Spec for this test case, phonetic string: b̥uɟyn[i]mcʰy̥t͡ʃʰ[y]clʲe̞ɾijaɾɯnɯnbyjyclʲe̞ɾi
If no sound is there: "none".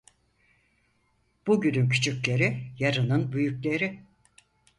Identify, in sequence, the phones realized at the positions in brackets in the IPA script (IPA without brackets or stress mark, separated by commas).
y, y